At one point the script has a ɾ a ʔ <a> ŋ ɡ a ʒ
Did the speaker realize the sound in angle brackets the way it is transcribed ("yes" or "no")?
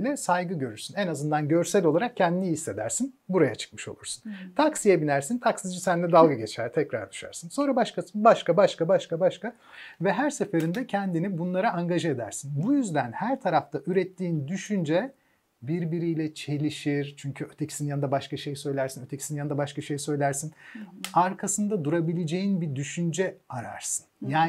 yes